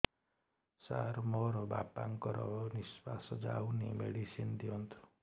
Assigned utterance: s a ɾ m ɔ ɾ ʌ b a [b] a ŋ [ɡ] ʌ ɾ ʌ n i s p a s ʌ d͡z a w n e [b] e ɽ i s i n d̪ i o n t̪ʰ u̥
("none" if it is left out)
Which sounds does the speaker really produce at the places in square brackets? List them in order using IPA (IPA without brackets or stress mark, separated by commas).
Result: p, k, m